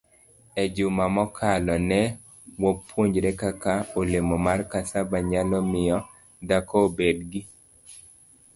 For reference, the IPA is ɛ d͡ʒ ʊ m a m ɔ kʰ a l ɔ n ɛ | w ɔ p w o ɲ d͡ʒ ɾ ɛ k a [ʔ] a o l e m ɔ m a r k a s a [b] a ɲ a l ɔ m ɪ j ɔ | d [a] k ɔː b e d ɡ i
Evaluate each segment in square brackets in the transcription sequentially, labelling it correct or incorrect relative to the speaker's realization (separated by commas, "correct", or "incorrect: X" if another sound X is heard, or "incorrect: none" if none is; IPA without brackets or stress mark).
incorrect: k, correct, correct